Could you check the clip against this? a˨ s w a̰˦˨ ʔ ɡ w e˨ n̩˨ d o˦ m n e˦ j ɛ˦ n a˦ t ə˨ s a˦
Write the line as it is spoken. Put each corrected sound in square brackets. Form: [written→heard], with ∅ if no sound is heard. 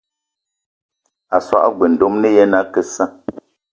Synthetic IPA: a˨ s w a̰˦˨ ʔ ɡ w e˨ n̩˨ d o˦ m n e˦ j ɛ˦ n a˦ [t→k] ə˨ s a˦